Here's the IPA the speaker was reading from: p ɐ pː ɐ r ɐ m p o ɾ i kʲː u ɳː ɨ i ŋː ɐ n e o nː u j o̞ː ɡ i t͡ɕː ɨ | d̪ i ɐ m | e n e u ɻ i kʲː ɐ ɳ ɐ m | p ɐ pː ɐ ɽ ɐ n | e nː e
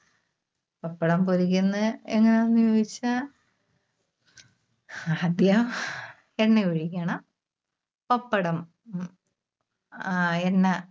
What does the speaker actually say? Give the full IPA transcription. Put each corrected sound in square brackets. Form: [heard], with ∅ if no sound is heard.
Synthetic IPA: p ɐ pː ɐ [ɽ] ɐ m p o ɾ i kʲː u [nː] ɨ [e] ŋː ɐ n e o nː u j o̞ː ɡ i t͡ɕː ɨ | d̪ [j] ɐ m | e [nː] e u ɻ i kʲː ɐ ɳ ɐ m | p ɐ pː ɐ ɽ ɐ [m] | e nː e